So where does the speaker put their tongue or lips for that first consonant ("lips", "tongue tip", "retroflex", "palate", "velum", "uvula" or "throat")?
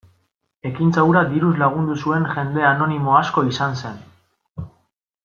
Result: velum